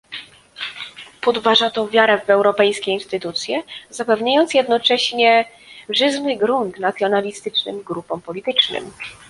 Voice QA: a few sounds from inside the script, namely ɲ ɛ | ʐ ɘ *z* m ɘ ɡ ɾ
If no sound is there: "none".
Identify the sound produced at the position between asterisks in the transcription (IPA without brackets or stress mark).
z